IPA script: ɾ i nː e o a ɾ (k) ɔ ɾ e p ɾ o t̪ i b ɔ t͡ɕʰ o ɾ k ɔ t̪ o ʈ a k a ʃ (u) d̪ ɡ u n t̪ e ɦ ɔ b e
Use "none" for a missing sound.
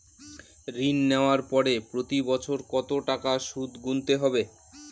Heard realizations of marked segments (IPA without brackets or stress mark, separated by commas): p, u